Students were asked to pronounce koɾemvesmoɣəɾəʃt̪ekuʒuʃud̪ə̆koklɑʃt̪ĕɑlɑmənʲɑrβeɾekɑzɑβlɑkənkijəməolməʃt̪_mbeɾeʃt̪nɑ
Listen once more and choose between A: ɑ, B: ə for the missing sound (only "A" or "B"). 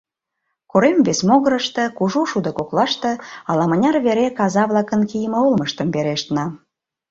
B